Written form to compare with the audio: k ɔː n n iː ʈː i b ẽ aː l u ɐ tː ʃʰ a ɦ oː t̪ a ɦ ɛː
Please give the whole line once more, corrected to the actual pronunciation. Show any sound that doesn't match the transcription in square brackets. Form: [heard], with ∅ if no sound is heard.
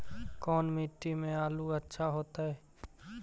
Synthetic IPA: k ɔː n [m] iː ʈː i [m] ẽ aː l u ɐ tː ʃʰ a ɦ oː t̪ a ɦ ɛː

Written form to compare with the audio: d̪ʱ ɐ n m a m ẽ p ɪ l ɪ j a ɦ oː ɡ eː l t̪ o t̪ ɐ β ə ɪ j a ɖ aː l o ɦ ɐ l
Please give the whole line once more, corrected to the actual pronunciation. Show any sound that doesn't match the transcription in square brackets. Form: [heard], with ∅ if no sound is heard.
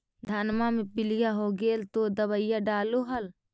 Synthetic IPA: d̪ʱ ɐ n m a m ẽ p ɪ l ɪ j a ɦ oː ɡ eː l t̪ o [d̪] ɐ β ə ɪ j a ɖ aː l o ɦ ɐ l

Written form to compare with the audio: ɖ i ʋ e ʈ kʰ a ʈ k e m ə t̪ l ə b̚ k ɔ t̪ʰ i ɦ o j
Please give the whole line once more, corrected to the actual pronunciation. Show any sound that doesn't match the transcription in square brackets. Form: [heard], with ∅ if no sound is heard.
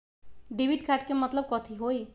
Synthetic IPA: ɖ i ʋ [i] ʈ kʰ a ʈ k e m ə t̪ l ə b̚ k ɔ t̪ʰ i ɦ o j

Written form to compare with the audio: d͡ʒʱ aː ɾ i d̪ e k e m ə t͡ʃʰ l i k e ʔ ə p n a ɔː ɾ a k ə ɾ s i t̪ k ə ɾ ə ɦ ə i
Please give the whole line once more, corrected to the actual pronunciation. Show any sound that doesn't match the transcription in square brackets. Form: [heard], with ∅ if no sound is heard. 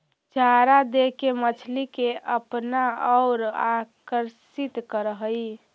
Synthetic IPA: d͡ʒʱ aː ɾ [a] d̪ e k e m ə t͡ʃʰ l i k e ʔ ə p n a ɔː ɾ a k ə ɾ s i t̪ k ə ɾ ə ɦ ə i

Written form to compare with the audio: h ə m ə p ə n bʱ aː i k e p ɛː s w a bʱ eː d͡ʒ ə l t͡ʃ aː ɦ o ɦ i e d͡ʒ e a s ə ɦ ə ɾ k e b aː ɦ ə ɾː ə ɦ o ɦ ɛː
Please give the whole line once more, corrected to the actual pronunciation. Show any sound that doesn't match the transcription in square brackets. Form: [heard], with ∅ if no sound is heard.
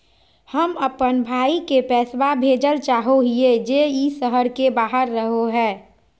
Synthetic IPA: h ə m ə p ə n bʱ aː i k e p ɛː s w a bʱ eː d͡ʒ ə l t͡ʃ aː ɦ o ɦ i e d͡ʒ e [i] s ə ɦ ə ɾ k e b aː ɦ ə ɾː ə ɦ o ɦ ɛː

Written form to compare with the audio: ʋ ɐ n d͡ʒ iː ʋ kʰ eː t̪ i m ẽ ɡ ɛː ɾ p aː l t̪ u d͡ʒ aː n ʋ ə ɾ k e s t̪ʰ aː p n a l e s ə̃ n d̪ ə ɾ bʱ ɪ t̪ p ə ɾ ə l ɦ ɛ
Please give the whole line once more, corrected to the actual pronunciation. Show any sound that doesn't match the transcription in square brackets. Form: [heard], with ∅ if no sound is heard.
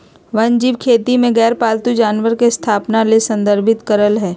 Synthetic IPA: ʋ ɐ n d͡ʒ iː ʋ kʰ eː t̪ i m ẽ ɡ ɛː ɾ p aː l t̪ u d͡ʒ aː n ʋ ə ɾ k e s t̪ʰ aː p n a l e s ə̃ n d̪ ə ɾ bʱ ɪ t̪ [k] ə ɾ ə l ɦ [ɛː]

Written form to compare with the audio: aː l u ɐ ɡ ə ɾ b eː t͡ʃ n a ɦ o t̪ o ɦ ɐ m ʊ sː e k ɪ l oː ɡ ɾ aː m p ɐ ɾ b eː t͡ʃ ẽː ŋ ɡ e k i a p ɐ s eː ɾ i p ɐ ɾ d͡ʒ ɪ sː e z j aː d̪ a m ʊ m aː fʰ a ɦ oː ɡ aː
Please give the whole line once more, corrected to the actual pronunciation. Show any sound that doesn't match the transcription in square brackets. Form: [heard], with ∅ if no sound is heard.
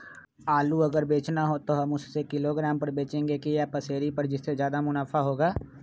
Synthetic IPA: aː l u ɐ ɡ ə ɾ b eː t͡ʃ n a ɦ o t̪ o ɦ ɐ m ʊ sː e k ɪ l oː ɡ ɾ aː m p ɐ ɾ b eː t͡ʃ ẽː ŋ ɡ e k i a p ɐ s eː ɾ i p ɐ ɾ d͡ʒ ɪ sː e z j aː d̪ a m ʊ [n] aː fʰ a ɦ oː ɡ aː

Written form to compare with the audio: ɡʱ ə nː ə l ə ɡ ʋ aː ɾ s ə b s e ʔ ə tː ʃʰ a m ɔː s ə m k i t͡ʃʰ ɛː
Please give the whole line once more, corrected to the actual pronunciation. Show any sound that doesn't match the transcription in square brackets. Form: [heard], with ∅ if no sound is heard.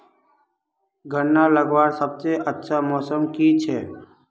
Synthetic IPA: ɡʱ ə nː [a] l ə ɡ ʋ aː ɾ s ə b s e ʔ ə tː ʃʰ a m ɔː s ə m k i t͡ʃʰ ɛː

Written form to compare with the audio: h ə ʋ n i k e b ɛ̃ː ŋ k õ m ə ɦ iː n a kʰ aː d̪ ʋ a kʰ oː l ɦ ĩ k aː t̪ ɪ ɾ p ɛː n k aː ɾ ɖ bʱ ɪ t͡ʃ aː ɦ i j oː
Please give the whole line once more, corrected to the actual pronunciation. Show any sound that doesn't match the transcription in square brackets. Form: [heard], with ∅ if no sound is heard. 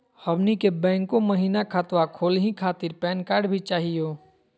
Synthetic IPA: h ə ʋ n i k e b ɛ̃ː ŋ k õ m ə ɦ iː n a kʰ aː [t̪] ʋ a kʰ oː l ɦ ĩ [kʰ] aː t̪ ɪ ɾ p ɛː n k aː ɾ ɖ bʱ [i] t͡ʃ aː ɦ i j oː

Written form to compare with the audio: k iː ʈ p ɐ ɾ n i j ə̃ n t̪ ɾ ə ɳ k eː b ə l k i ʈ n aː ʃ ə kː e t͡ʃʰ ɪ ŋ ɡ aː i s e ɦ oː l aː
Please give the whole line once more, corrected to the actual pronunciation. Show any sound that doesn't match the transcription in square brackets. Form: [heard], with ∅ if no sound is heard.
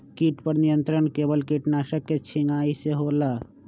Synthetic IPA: k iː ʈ p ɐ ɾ n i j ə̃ n t̪ ɾ ə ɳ k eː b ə l k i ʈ n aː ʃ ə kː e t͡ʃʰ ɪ ŋ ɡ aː i s e ɦ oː l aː

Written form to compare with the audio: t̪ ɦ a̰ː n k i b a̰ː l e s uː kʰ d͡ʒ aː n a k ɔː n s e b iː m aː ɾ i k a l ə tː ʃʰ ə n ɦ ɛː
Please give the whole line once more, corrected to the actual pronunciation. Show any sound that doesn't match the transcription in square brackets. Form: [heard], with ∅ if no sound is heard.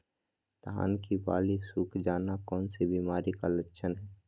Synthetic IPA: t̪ ɦ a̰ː n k i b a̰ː l [i] s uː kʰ d͡ʒ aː n a k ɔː n s e b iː m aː ɾ i k a l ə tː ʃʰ ə n ɦ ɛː

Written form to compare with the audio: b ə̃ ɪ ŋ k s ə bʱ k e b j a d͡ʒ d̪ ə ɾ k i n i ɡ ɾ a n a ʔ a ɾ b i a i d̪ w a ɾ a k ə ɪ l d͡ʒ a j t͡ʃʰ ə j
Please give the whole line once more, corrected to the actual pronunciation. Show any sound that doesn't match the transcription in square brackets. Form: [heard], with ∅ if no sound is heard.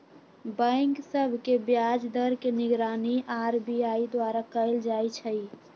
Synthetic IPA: b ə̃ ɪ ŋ k s ə bʱ k e b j a d͡ʒ d̪ ə ɾ k [e] n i ɡ ɾ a n [i] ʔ a ɾ b i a i d̪ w a ɾ a k ə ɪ l d͡ʒ a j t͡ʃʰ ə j

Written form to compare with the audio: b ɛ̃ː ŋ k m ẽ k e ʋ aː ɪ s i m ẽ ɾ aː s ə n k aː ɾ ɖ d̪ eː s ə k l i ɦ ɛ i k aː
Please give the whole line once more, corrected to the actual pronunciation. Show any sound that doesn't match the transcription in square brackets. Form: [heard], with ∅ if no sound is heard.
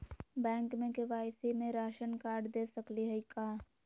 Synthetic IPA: b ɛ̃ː ŋ k m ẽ k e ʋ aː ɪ s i m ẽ ɾ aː [ʃ] ə n k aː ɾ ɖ d̪ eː s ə k l i ɦ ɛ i k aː

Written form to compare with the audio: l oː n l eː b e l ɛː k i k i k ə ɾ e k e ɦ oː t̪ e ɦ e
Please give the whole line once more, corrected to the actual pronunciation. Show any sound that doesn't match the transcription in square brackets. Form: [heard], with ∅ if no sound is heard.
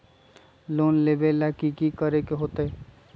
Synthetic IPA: l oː n l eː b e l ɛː k i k i k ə ɾ e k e ɦ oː t̪ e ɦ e

